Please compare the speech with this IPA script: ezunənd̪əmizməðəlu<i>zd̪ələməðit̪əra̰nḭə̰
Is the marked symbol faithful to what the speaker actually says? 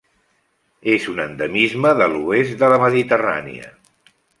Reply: no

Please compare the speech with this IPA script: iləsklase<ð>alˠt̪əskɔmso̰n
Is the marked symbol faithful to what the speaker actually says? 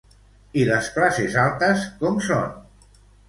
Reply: no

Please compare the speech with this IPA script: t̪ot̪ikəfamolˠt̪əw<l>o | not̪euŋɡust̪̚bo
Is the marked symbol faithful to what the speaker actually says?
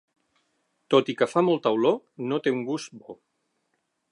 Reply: yes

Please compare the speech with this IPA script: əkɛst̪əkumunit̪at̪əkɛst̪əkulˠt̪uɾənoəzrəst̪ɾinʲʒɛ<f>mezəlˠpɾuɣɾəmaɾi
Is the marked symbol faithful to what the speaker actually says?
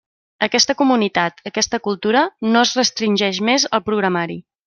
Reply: no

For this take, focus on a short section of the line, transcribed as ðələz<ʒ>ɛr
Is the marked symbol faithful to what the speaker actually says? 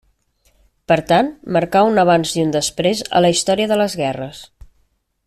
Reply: no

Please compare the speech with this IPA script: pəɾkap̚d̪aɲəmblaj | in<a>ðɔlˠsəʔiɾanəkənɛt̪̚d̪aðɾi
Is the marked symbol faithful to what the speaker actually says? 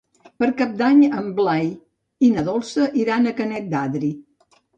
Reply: no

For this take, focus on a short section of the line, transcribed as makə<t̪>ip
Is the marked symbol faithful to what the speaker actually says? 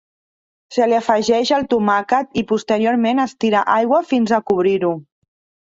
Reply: yes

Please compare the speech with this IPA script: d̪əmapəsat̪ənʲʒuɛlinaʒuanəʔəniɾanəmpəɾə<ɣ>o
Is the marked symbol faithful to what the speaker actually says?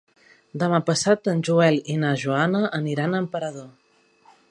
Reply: no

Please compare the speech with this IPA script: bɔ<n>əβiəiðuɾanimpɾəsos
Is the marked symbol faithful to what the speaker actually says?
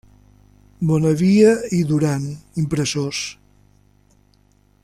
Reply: yes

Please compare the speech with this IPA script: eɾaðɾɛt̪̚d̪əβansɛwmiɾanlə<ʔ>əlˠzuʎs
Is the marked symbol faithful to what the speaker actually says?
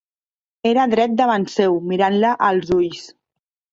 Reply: yes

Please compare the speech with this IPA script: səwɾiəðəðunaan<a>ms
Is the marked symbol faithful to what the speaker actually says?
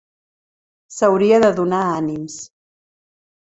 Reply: no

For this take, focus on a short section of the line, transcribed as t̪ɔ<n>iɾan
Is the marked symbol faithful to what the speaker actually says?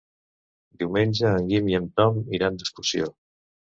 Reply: no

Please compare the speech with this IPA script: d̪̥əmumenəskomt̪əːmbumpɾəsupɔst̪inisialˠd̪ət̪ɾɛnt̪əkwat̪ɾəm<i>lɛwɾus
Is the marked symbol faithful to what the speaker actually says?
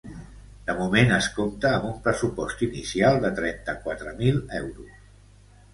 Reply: yes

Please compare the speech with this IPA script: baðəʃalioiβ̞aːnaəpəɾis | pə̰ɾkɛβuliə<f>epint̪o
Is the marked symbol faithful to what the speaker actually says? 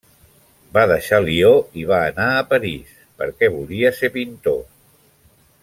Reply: no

